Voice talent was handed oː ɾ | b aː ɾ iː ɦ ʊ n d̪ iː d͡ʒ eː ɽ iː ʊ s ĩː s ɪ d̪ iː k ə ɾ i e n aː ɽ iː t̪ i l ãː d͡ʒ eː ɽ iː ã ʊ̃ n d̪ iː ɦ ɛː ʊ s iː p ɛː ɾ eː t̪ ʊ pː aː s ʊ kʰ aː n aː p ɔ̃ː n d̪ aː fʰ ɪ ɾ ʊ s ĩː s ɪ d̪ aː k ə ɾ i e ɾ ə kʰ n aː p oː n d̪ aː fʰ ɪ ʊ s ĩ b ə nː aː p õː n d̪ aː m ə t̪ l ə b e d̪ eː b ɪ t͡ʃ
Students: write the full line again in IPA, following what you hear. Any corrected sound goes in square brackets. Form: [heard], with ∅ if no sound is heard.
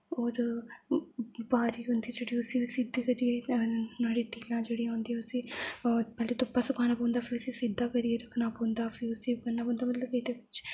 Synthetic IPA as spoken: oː ɾ | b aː ɾ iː ɦ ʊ n d̪ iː d͡ʒ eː ɽ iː ʊ s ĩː s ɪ d̪ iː k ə ɾ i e n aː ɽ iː t̪ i l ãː d͡ʒ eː ɽ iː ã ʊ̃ n d̪ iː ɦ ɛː ʊ s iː p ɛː [l] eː t̪ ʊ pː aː s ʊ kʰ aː n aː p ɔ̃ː n d̪ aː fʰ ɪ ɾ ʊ s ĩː s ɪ d̪ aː k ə ɾ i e ɾ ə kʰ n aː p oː n d̪ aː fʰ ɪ ʊ s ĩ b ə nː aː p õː n d̪ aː m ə t̪ l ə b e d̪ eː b ɪ t͡ʃ